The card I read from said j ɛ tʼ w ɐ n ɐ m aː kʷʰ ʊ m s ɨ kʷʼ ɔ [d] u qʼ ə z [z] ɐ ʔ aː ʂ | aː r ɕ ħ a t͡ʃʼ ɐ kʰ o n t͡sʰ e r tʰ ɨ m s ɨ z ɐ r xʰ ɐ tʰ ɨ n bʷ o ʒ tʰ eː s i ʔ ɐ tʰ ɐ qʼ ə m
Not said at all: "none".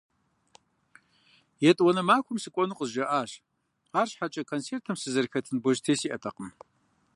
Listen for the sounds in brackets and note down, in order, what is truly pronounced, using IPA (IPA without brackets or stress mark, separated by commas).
n, ʒ